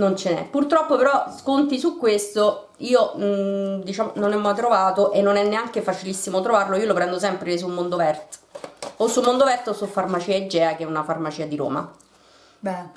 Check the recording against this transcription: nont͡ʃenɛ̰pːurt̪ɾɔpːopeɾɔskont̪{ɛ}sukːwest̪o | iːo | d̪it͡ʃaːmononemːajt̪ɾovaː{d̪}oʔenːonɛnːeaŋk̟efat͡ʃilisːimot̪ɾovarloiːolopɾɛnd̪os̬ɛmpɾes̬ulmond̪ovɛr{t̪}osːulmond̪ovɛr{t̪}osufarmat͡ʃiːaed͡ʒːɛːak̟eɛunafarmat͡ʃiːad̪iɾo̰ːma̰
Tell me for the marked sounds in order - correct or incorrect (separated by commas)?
incorrect, incorrect, correct, correct